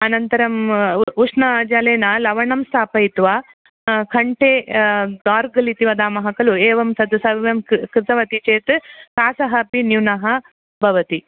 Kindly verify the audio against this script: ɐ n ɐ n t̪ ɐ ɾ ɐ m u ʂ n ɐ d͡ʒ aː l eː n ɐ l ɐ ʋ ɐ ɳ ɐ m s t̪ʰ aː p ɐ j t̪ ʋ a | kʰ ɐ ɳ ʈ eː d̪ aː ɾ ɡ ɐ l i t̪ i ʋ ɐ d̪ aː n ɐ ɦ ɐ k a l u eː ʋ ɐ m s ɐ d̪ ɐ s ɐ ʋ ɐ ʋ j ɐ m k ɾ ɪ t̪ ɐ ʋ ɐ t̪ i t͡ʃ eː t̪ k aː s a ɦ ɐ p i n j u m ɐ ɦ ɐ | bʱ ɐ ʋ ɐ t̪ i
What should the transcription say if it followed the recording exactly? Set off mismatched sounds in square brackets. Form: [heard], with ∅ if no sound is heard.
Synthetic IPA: ɐ n ɐ n t̪ ɐ ɾ ɐ m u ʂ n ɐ d͡ʒ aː l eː n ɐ l ɐ ʋ ɐ ɳ ɐ m s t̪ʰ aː p ɐ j t̪ ʋ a | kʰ ɐ ɳ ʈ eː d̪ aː ɾ ɡ ɐ l i t̪ i ʋ ɐ d̪ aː [m] ɐ ɦ ɐ k [ɐ] l u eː ʋ ɐ m s ɐ d̪ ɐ s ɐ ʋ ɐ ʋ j ɐ m k ɾ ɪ t̪ ɐ ʋ ɐ t̪ i t͡ʃ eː t̪ k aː s [ɐ] ɦ ɐ p i n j u [n] ɐ ɦ ɐ | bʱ ɐ ʋ ɐ t̪ i